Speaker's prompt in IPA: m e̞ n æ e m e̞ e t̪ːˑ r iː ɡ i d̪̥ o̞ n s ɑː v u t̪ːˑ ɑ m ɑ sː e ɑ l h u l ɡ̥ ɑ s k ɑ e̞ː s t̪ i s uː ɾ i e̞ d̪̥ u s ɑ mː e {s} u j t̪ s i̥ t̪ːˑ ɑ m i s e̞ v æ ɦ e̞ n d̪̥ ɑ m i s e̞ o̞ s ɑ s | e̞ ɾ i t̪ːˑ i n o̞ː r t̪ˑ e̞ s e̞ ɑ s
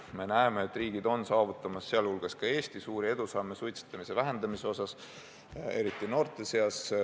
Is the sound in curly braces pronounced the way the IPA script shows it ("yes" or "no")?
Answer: yes